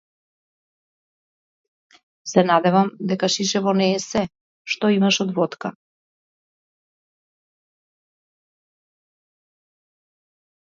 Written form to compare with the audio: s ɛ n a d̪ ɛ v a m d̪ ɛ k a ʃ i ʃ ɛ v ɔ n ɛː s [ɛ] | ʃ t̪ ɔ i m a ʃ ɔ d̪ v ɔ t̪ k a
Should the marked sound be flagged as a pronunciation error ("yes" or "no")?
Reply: no